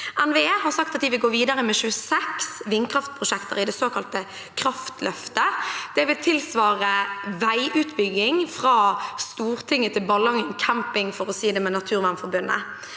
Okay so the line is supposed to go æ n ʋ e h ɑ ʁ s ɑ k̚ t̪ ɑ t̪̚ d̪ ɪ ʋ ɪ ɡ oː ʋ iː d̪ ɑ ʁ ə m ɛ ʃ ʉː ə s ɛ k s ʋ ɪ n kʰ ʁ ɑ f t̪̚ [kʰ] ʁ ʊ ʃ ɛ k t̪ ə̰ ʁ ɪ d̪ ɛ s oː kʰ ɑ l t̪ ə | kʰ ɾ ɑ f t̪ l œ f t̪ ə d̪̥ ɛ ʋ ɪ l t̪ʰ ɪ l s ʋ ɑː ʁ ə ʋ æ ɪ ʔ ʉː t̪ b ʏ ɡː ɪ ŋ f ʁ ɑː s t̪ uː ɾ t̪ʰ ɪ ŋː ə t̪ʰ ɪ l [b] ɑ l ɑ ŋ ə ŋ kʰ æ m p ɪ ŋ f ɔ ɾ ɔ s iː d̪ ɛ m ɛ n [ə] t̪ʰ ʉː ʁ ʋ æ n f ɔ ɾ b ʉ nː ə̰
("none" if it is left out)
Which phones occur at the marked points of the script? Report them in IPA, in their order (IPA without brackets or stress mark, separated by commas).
pʰ, b, ɑ